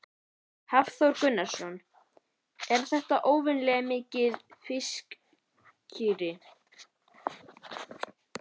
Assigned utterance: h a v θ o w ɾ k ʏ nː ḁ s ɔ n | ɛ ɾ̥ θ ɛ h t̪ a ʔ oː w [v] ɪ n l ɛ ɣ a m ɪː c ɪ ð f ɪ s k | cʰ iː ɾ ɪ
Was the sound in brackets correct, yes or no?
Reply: yes